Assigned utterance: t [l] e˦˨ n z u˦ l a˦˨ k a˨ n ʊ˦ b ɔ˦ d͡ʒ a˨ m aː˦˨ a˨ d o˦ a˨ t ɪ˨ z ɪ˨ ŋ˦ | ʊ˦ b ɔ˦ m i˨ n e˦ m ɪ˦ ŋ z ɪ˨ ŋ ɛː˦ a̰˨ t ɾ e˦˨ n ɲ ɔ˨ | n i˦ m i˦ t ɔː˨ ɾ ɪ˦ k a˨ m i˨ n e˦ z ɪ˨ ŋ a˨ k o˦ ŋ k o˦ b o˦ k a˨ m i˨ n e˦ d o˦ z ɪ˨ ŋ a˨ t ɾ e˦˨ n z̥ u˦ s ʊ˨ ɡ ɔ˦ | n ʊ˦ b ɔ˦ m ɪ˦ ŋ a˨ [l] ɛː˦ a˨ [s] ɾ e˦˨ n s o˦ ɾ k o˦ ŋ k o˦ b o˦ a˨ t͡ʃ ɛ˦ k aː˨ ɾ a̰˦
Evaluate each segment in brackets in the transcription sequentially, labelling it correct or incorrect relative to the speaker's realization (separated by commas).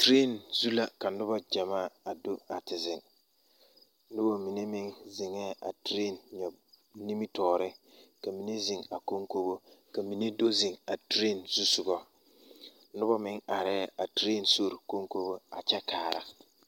incorrect, incorrect, incorrect